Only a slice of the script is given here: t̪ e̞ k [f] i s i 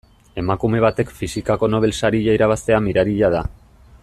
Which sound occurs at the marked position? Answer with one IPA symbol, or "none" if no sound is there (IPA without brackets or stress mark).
f